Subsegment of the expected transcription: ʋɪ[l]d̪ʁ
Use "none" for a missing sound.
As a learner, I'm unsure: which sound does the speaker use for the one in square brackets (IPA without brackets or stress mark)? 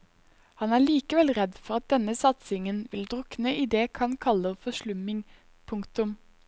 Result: l